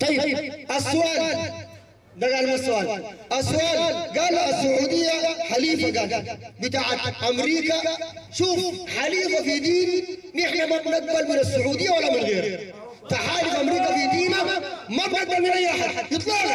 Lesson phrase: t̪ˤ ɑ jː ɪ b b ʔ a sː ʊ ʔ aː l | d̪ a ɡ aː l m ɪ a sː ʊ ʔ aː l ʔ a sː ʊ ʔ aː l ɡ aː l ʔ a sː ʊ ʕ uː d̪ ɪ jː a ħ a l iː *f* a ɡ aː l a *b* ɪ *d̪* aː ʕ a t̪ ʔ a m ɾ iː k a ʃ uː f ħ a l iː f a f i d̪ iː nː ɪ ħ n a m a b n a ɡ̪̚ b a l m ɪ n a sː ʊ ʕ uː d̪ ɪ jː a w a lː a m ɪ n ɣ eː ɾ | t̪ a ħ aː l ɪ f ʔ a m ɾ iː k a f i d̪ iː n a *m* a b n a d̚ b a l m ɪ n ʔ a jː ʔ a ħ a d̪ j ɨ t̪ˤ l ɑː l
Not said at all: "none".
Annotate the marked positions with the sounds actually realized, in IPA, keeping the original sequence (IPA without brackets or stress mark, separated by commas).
f, b, t̪, m